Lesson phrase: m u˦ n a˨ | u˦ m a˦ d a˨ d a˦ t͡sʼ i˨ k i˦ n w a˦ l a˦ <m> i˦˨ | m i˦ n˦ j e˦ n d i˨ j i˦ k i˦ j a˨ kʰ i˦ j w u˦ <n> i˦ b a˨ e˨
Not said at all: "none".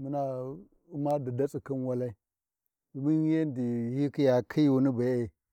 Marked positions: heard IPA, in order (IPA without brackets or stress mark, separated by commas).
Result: none, n